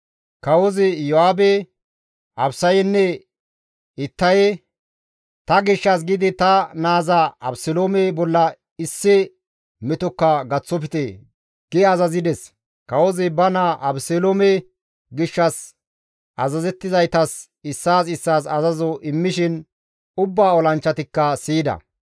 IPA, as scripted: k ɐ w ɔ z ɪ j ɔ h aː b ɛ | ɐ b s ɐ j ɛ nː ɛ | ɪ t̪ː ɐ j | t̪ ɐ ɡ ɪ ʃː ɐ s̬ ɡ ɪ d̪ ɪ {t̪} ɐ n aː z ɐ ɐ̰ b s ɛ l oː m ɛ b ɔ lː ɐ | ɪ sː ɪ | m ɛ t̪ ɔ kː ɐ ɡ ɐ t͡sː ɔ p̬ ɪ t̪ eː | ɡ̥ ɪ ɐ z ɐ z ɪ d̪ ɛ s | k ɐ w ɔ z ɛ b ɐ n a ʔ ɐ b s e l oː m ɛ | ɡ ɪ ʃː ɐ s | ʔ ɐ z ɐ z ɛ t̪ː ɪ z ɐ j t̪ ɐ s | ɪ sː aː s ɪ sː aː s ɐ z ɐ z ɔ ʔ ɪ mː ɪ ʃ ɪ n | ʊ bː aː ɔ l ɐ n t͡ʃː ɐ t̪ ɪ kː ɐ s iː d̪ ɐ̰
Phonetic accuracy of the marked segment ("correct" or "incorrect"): correct